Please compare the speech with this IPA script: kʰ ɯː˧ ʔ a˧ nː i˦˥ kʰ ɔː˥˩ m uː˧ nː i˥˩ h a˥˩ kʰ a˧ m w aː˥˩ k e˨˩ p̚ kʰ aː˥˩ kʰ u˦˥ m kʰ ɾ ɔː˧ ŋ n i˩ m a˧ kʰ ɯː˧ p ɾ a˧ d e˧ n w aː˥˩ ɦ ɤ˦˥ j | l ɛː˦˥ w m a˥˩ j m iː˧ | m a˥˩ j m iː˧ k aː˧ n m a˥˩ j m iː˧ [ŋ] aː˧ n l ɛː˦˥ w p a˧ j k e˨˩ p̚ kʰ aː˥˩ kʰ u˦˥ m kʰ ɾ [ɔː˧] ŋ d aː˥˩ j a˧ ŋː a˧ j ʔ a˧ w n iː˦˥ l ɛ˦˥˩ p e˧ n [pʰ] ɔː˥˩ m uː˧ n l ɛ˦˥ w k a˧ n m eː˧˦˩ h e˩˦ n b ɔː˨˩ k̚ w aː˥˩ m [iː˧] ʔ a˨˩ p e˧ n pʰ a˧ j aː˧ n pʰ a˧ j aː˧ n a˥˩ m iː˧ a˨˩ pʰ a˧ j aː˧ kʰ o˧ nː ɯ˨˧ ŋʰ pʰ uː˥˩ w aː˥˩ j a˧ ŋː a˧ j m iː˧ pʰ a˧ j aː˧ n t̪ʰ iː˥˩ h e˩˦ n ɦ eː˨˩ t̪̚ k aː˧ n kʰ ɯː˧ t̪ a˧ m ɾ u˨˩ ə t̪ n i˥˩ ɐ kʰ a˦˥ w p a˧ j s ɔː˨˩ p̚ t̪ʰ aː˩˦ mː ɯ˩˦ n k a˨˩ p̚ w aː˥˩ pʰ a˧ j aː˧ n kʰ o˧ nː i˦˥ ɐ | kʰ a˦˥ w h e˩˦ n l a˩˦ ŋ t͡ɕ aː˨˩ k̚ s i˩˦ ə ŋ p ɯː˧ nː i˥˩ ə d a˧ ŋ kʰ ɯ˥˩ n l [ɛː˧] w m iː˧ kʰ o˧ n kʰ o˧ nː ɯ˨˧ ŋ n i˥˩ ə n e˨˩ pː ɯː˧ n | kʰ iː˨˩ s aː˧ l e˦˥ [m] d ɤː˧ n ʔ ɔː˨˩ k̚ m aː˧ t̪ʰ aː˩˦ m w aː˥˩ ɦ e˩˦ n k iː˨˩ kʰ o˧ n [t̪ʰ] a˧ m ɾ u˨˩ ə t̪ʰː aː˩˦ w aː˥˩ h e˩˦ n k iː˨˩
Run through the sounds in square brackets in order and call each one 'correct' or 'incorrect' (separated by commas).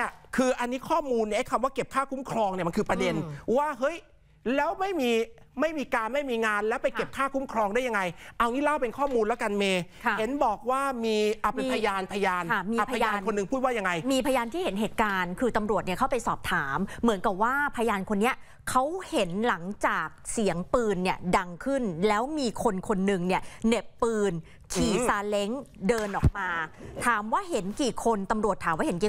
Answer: correct, correct, incorrect, correct, incorrect, incorrect, incorrect